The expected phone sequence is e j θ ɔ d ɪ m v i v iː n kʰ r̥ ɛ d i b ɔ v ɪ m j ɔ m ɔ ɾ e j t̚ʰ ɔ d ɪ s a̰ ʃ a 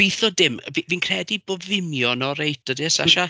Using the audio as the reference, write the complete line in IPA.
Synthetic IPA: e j θ ɔ d ɪ m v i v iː n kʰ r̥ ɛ d i b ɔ v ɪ m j ɔ n ɔ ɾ e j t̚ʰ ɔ d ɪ s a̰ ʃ a